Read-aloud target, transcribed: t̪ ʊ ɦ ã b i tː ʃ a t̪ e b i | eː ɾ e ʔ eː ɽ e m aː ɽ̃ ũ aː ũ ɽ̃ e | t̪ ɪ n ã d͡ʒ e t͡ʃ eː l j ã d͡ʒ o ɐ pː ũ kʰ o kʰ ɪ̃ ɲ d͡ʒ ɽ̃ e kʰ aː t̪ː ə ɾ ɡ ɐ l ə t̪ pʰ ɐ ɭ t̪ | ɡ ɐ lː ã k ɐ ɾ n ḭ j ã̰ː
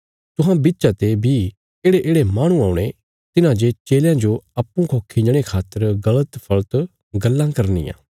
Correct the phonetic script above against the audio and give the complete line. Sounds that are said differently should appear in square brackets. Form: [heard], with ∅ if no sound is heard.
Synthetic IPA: t̪ ʊ ɦ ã b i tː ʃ a t̪ e b i | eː [ɽ] e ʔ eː ɽ e m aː ɽ̃ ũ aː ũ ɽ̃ e | t̪ ɪ n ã d͡ʒ e t͡ʃ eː l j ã d͡ʒ o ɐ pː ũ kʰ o kʰ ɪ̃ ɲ d͡ʒ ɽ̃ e kʰ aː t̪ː ə ɾ ɡ ɐ l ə t̪ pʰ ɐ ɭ t̪ | ɡ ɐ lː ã k ɐ ɾ n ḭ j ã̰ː